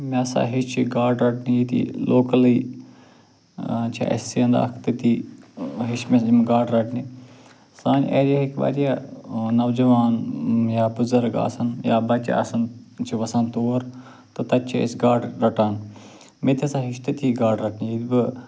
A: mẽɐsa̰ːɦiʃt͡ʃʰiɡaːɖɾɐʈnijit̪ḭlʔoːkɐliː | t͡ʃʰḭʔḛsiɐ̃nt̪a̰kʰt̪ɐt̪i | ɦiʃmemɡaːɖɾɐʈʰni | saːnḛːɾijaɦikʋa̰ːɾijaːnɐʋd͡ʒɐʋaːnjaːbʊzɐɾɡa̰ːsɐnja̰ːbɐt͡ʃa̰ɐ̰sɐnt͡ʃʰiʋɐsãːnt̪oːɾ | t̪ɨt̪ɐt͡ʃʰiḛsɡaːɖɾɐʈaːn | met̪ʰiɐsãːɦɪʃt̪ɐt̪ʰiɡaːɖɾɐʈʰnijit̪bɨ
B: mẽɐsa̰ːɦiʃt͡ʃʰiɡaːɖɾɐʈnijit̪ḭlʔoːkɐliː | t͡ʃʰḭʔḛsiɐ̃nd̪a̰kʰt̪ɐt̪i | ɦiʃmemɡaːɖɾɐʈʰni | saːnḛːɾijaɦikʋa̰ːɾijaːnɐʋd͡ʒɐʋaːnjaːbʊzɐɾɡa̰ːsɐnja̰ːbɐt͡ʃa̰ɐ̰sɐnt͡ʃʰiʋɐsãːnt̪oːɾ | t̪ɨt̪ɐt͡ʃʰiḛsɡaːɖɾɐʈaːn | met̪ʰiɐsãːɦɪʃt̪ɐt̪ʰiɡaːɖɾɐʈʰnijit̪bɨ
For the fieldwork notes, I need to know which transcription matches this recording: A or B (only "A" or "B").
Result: B